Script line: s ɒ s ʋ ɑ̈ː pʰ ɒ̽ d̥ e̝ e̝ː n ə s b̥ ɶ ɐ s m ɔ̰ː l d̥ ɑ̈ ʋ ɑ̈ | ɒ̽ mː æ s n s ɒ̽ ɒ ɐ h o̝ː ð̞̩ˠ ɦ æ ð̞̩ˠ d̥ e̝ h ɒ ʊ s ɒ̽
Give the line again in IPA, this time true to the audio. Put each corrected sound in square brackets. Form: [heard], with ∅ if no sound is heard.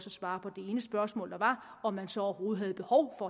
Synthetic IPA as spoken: s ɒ s ʋ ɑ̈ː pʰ ɒ̽ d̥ e̝ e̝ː n ə s b̥ ɶ ɐ s m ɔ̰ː l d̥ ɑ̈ ʋ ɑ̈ | ɒ̽ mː æ [∅] n s ɒ̽ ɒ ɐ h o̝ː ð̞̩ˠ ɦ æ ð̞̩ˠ [b̥] e̝ h ɒ ʊ [f] ɒ̽